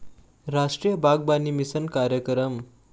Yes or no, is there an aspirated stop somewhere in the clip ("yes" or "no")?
no